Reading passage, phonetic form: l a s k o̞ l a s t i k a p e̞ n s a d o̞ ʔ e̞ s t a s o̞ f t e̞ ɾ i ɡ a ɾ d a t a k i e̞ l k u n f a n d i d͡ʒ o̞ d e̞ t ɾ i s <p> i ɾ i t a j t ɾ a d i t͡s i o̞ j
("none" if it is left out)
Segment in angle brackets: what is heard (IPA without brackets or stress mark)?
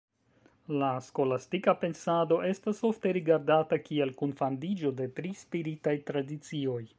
p